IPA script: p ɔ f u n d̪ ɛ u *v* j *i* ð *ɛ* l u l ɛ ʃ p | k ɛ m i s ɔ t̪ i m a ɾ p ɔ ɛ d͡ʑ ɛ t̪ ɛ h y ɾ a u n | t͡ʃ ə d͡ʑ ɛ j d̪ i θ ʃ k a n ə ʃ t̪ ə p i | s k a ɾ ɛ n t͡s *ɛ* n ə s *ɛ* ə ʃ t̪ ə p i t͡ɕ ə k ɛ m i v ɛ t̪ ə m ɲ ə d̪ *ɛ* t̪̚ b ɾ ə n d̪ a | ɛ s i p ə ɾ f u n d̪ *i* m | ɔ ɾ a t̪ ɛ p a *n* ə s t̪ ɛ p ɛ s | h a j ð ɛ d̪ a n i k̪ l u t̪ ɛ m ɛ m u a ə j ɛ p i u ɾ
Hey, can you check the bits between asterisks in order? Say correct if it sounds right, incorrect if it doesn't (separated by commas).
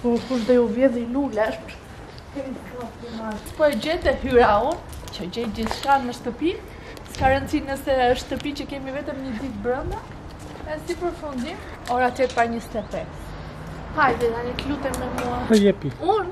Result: correct, incorrect, incorrect, incorrect, correct, incorrect, correct, incorrect